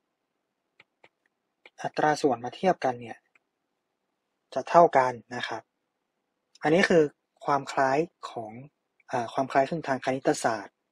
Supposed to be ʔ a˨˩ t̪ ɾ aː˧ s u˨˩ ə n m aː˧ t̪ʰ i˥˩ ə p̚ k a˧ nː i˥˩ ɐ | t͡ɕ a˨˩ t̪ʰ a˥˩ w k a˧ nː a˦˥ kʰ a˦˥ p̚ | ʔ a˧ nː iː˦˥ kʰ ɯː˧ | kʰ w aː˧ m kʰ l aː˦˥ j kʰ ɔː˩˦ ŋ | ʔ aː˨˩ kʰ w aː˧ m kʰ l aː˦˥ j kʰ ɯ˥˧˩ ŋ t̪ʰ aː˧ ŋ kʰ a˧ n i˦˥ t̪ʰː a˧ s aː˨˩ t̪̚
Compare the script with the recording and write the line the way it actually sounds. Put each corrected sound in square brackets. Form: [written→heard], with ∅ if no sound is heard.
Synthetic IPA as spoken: ʔ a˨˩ t̪ ɾ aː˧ s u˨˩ ə n m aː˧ t̪ʰ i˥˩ ə p̚ k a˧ nː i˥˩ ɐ | t͡ɕ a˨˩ t̪ʰ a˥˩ w k a˧ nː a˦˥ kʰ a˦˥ p̚ | ʔ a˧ nː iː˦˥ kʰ ɯː˧ | kʰ w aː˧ m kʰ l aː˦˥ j kʰ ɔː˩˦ ŋ | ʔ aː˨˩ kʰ w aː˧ m kʰ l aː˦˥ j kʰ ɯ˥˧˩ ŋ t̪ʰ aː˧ ŋ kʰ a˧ n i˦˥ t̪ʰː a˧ s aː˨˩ t̪̚